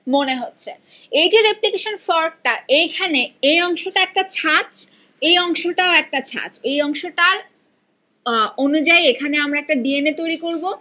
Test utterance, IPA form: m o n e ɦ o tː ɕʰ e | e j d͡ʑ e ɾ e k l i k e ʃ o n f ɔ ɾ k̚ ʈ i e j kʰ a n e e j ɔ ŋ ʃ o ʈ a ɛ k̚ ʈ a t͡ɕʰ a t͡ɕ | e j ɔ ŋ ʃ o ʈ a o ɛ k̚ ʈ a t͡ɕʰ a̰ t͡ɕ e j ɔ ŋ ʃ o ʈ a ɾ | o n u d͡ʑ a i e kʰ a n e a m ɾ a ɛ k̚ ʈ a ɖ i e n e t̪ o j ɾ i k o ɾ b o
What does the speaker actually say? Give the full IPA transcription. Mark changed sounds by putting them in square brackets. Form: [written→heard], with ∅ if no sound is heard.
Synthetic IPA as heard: m o n e ɦ o tː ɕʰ e | e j d͡ʑ e ɾ e [k→p] l i k e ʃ o n f ɔ ɾ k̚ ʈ [i→a] e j kʰ a n e e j ɔ ŋ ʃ o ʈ a ɛ k̚ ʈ a t͡ɕʰ a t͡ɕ | e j ɔ ŋ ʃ o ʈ a o ɛ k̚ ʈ a t͡ɕʰ a̰ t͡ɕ e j ɔ ŋ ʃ o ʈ a ɾ | o n u d͡ʑ a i e kʰ a n e a m ɾ a ɛ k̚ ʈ a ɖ i e n e t̪ o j ɾ i k o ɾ b o